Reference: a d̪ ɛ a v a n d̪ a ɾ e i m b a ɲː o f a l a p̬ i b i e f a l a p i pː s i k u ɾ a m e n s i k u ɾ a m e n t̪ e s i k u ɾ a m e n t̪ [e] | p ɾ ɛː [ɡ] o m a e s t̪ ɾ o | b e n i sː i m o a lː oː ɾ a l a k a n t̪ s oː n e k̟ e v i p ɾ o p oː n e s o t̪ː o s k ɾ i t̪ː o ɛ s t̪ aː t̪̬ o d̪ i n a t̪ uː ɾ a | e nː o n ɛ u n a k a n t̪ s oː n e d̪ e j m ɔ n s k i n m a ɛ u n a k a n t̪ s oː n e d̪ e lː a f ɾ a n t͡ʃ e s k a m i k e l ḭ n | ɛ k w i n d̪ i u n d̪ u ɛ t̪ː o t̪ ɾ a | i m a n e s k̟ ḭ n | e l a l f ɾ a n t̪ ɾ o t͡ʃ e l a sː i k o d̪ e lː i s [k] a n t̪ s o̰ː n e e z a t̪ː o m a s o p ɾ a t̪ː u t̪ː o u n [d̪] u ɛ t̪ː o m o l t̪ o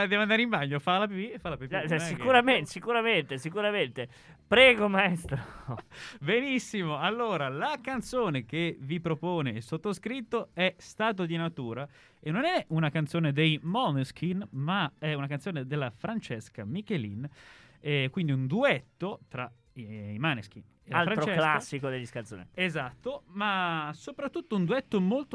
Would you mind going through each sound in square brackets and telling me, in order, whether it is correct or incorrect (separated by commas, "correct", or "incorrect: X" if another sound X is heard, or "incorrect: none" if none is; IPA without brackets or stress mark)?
correct, correct, correct, correct